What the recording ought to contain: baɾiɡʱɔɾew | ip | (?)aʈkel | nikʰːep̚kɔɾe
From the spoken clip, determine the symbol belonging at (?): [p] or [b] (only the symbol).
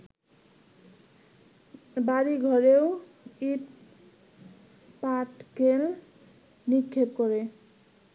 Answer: p